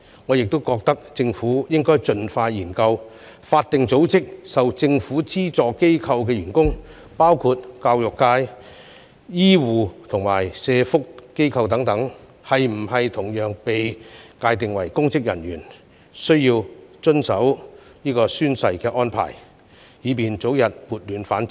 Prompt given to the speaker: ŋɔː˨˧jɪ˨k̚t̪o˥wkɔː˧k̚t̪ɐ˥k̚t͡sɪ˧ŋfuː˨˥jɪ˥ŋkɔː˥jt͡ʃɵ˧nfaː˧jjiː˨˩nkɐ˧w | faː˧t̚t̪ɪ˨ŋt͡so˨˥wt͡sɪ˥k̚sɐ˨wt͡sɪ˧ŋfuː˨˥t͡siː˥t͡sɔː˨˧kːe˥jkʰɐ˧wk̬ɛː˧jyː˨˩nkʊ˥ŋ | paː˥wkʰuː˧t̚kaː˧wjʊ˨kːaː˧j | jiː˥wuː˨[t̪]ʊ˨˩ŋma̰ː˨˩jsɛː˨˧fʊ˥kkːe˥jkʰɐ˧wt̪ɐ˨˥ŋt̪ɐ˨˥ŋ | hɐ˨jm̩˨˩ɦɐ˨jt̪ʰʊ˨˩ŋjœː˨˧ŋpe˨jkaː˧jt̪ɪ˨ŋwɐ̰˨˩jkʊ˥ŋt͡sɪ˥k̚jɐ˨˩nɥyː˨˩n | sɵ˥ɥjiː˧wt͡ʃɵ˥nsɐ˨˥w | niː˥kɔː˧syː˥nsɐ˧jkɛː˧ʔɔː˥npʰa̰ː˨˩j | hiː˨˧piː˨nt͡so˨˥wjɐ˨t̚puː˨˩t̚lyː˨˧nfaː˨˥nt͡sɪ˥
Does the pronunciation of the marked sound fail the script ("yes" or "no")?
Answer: yes